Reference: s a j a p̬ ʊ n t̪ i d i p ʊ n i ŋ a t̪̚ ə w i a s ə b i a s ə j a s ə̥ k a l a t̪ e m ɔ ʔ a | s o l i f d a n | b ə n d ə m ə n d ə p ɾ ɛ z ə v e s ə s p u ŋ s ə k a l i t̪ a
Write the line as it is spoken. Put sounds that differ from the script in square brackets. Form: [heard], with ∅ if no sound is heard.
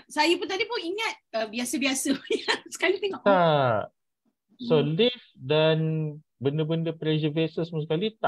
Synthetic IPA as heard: s a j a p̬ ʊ n t̪ [a] d i p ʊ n i ŋ a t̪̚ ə [b] i a s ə b i a s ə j a s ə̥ k a l [i] t̪ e [ŋ] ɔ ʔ a | s o l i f d a n | b ə n d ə [b] ə n d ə p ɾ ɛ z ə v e s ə s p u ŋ s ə k a l i t̪ a